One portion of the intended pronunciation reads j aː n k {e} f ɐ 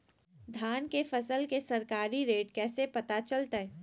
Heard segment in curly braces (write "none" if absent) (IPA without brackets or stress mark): e